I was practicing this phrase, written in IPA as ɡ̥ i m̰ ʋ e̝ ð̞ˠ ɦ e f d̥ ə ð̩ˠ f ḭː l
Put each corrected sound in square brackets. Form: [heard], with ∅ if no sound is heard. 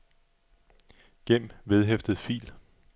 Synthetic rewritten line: ɡ̥ [e] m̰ ʋ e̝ ð̞ˠ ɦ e f d̥ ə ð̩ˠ f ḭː l